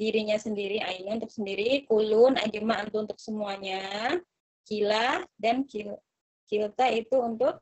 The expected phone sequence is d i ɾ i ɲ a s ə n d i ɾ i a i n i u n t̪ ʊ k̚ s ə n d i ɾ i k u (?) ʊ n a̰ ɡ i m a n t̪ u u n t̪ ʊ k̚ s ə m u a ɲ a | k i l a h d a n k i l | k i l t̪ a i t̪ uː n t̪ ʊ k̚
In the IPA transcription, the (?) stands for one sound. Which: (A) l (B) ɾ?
A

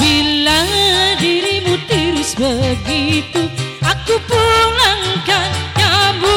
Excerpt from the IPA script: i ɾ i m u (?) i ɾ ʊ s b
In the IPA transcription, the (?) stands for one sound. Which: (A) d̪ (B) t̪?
B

